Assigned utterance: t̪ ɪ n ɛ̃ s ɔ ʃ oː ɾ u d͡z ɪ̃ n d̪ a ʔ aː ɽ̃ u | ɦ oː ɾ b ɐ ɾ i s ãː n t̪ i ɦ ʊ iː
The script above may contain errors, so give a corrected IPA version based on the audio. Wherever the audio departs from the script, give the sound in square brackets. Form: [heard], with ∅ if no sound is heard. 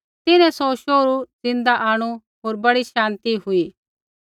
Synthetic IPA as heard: t̪ ɪ n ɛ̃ s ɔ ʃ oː ɾ u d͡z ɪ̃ n d̪ a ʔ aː ɽ̃ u | ɦ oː ɾ b ɐ [ɽ] i [ʃ] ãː n t̪ i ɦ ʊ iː